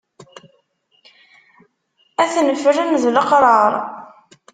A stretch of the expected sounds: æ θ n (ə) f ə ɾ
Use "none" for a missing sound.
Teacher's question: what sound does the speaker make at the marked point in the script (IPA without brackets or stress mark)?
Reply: ə